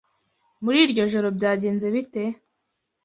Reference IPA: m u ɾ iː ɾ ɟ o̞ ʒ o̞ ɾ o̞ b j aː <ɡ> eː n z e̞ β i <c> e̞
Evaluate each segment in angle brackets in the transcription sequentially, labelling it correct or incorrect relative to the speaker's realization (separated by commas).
incorrect, incorrect